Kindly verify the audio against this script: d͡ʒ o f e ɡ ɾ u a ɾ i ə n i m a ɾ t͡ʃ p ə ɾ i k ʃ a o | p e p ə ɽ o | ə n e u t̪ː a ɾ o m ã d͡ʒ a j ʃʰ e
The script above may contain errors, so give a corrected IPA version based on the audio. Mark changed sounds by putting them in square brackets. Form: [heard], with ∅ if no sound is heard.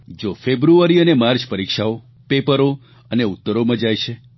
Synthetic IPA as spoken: d͡ʒ o f e [b] ɾ u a ɾ i ə n [e] m a ɾ t͡ʃ p ə ɾ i k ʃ a o | p e p ə [ɾ] o | ə n e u t̪ː [ə] ɾ o m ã d͡ʒ a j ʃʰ e